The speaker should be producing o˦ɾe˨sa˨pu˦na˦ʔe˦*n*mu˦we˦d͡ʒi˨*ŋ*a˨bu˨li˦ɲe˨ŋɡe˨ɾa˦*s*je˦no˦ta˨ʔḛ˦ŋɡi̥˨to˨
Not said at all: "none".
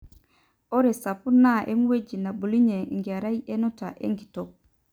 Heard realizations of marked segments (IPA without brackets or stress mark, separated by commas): none, n, none